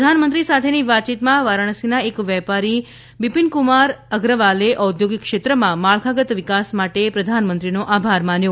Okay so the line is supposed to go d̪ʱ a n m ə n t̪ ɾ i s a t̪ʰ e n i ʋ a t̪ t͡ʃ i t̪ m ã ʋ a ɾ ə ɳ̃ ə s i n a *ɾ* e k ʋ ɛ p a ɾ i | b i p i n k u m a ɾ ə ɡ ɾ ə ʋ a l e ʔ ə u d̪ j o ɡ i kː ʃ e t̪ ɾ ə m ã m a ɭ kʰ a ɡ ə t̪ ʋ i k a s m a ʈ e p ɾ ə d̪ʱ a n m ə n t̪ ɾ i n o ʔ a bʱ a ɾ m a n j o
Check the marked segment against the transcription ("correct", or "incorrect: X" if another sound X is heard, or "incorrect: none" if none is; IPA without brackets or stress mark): incorrect: none